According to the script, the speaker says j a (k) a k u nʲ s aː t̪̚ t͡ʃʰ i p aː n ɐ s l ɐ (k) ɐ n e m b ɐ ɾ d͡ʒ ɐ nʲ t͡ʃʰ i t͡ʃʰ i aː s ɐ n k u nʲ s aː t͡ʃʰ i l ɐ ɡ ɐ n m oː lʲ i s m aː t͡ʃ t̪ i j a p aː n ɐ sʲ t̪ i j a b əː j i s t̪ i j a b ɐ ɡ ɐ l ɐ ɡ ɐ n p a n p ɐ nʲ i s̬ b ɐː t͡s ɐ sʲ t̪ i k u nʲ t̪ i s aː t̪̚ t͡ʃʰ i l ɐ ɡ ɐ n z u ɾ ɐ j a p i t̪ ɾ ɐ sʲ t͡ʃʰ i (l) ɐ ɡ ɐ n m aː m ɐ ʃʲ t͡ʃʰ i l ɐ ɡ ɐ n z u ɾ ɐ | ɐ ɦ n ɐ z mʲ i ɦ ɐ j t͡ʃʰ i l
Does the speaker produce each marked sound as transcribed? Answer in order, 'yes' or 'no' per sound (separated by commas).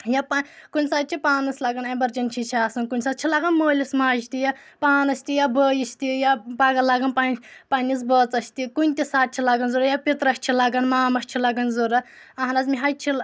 no, no, yes